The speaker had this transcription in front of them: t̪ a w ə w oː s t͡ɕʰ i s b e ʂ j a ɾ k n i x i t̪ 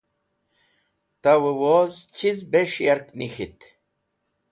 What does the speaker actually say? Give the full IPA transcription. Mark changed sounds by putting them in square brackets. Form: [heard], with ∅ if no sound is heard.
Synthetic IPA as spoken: t̪ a w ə w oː [z] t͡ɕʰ i [z] b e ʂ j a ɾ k n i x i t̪